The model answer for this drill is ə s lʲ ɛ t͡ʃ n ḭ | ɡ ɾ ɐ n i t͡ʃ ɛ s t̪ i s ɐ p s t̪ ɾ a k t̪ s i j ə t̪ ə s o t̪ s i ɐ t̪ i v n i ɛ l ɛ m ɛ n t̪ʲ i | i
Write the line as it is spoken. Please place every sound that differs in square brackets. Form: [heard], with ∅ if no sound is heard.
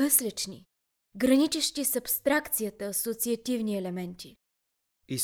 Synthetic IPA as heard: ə s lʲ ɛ t͡ʃ n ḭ | ɡ ɾ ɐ n i t͡ʃ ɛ [ʃ] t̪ i s ɐ p s t̪ ɾ a k t̪ s i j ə t̪ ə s o t̪ s i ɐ t̪ i v n i ɛ l ɛ m ɛ n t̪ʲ i | i